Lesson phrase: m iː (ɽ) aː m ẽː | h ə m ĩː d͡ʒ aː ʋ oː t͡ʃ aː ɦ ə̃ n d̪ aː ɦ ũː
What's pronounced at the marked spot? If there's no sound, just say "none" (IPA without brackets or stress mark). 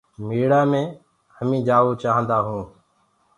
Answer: ɽ